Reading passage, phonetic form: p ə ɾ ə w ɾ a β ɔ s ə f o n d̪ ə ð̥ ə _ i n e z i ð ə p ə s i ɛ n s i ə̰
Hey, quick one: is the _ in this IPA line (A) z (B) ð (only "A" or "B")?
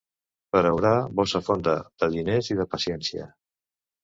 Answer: B